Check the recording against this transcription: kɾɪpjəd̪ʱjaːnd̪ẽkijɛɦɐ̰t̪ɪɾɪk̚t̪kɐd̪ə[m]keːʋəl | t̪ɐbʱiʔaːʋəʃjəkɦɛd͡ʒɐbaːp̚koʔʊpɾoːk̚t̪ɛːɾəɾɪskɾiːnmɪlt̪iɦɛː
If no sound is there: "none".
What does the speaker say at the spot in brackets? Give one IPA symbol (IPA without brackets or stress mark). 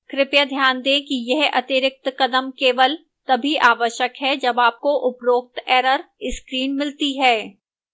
m